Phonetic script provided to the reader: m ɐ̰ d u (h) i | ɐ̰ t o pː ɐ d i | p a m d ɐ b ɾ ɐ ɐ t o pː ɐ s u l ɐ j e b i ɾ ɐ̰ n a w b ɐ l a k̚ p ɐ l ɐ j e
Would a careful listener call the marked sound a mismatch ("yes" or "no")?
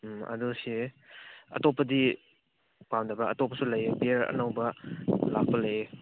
yes